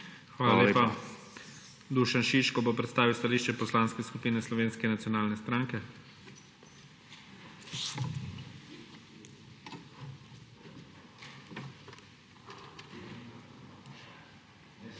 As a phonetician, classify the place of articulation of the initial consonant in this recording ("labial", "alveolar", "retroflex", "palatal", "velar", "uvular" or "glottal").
velar